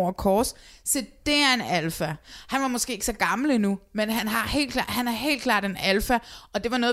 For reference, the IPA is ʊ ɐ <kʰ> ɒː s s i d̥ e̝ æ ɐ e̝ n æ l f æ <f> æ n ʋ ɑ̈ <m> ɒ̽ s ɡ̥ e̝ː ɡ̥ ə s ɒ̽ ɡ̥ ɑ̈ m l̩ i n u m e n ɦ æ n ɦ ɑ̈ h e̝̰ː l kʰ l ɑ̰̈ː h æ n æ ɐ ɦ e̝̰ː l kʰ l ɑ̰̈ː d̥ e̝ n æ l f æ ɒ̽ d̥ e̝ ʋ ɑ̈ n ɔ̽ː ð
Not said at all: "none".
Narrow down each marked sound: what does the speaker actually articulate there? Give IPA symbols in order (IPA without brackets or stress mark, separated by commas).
kʰ, h, m